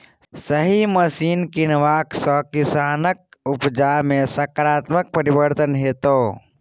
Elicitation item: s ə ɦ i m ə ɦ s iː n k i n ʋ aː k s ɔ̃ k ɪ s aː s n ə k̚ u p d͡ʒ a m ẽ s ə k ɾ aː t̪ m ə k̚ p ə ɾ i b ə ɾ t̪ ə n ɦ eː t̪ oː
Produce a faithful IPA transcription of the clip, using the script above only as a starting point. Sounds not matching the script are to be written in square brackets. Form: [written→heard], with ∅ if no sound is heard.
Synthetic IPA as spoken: s ə ɦ i m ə [ɦ→∅] s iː n k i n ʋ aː k s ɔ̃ k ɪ s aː [s→∅] n ə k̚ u p d͡ʒ a m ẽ s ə k ɾ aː t̪ m ə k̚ p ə ɾ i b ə ɾ t̪ ə n ɦ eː t̪ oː

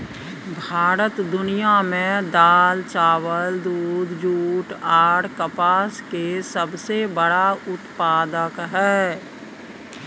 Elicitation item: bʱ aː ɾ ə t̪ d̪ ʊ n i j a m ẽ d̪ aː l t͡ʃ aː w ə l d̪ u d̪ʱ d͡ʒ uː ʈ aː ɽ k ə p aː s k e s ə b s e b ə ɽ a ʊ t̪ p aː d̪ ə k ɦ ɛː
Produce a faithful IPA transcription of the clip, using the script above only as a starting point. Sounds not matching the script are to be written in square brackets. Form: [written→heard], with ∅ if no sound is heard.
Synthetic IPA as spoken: bʱ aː ɾ ə t̪ d̪ ʊ n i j a m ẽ d̪ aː l t͡ʃ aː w ə l d̪ [u→uː] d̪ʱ d͡ʒ uː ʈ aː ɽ k ə p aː s k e s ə b s e b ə ɽ a ʊ t̪ p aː d̪ ə k ɦ ɛː

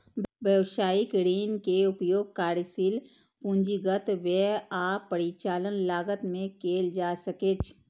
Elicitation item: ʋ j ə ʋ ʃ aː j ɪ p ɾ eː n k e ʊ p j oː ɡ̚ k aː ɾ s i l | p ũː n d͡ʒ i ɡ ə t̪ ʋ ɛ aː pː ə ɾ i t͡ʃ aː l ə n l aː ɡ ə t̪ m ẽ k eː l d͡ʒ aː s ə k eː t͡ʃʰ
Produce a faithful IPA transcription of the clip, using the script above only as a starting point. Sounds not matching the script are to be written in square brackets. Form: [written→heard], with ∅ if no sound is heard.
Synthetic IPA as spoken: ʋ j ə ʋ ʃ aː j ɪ [p→k] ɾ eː n k e ʊ p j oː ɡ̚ k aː ɾ s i l | p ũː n d͡ʒ i ɡ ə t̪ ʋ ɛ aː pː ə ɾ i t͡ʃ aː l ə n l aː ɡ ə t̪ m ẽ k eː l d͡ʒ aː s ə k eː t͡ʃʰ

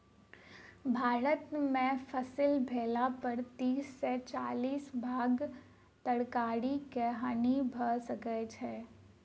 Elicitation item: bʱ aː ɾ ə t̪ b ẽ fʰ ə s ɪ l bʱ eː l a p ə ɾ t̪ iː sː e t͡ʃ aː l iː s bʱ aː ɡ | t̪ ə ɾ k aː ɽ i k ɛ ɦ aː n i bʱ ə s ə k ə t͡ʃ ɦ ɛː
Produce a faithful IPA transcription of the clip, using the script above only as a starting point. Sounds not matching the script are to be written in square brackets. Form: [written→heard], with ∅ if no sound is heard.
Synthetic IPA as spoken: bʱ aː ɾ ə t̪ [b→m] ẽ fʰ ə s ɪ l bʱ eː l a p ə ɾ t̪ iː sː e t͡ʃ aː l iː s bʱ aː ɡ | t̪ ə [ɾ→ɽ] k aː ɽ i k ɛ ɦ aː n i bʱ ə s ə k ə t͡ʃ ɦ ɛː

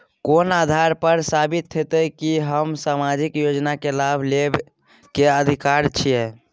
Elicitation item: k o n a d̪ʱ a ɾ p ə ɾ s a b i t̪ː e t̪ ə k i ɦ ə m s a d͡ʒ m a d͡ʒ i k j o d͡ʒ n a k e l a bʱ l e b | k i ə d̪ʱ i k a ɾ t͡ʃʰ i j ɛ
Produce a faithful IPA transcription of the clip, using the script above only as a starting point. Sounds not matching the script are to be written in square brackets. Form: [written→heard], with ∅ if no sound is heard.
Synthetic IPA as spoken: k o n a d̪ʱ a ɾ p ə ɾ s a b i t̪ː e t̪ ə k i ɦ ə m s a [d͡ʒ→∅] m a d͡ʒ i k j o d͡ʒ n a k e l a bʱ l e b | k [i→e] ə d̪ʱ i k a ɾ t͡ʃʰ i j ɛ

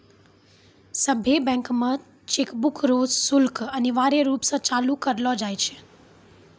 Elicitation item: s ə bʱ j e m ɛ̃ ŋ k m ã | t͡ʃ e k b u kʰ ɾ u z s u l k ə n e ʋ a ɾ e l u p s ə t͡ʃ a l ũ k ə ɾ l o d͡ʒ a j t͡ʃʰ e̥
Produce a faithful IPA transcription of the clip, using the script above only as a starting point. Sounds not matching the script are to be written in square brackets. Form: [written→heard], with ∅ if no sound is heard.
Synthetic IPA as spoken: s ə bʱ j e [m→b] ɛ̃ ŋ k m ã | t͡ʃ e k b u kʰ ɾ [u→o] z s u l k ə n e ʋ a ɾ e [l→ɾ] u p s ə t͡ʃ a l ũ k ə ɾ l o d͡ʒ a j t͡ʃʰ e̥

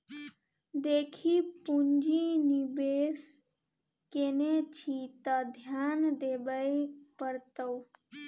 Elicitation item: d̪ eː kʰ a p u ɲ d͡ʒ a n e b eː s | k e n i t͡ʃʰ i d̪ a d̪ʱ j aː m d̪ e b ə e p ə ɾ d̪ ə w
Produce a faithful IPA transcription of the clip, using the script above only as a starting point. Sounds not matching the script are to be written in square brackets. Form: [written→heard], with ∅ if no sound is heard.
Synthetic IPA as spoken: d̪ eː kʰ [a→i] p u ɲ d͡ʒ [a→i] n [e→i] b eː s | k e n [i→e] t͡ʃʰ i [d̪→t̪] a d̪ʱ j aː [m→n] d̪ e b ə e p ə ɾ [d̪→t̪] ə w

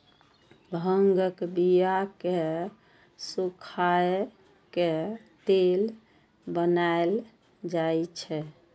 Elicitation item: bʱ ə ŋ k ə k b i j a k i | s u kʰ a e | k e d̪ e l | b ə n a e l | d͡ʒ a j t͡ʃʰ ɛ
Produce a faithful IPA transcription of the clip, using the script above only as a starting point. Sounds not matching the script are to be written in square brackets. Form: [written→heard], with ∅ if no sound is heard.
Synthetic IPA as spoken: bʱ ə ŋ [k→ɡ] ə k b i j a k [i→e] | s u kʰ a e | k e [d̪→t̪] e l | b ə n a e l | d͡ʒ a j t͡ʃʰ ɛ

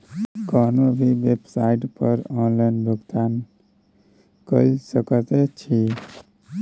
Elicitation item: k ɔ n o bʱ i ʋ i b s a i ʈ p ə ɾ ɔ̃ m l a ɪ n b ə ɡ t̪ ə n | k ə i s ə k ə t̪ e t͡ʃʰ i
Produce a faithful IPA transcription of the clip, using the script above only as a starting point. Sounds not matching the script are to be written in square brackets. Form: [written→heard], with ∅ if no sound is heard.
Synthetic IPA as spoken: k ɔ n o bʱ i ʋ [i→e] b s a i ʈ p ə ɾ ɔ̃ [m→n] l a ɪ n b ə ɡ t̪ [ə→a] n | k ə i s ə k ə t̪ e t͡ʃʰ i

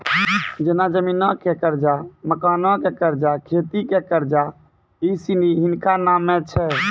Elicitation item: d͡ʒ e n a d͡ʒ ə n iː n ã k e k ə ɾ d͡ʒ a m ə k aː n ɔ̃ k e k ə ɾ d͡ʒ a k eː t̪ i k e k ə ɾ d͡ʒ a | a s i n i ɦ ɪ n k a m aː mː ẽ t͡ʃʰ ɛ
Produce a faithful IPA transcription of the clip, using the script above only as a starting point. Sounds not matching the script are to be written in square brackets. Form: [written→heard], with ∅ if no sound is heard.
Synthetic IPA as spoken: d͡ʒ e n a d͡ʒ ə [n→m] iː n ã k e k ə ɾ d͡ʒ a m ə k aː n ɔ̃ k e k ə ɾ d͡ʒ a [k→kʰ] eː t̪ i k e k ə ɾ d͡ʒ a | [a→i] s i n i ɦ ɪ n k a [m→n] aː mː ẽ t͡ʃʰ ɛ

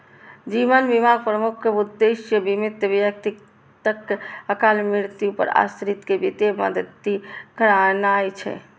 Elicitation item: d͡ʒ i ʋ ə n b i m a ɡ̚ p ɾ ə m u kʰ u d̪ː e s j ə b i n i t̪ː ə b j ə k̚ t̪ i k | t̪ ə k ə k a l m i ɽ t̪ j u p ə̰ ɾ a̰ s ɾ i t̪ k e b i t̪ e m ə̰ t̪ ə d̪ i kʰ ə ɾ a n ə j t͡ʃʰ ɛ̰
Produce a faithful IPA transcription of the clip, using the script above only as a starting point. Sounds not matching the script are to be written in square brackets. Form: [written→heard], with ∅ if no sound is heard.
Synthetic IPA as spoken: d͡ʒ i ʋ ə n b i m a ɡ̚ p ɾ ə m u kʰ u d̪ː e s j ə b i [n→m] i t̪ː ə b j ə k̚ t̪ i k | t̪ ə k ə k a l m i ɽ t̪ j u p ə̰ ɾ a̰ s ɾ i t̪ k e b i t̪ e m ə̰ [t̪→d̪] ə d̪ i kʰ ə ɾ a n [ə→a] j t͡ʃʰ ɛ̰

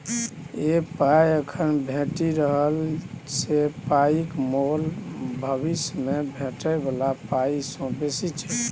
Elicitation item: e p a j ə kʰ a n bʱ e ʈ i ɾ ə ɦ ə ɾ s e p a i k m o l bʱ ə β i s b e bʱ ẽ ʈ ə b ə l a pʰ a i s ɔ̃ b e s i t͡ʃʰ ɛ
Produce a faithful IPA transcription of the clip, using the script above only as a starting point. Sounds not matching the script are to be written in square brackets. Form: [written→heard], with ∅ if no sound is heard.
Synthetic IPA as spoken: e p a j ə kʰ [a→ə] n bʱ e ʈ i ɾ ə ɦ ə [ɾ→l] s e p a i k m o l bʱ ə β i s [b→m] e bʱ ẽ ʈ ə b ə l a [pʰ→p] a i s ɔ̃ b e s i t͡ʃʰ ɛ

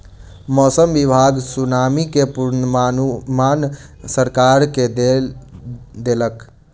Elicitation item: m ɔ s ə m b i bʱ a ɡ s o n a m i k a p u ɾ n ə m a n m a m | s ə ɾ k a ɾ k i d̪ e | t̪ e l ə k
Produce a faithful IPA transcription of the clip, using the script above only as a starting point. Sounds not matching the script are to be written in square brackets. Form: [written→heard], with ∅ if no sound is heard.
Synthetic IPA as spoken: m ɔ s ə m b i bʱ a ɡ s [o→u] n a m i k [a→e] p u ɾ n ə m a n m a [m→n] | s ə ɾ k a ɾ k [i→e] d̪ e | [t̪→d̪] e l ə k

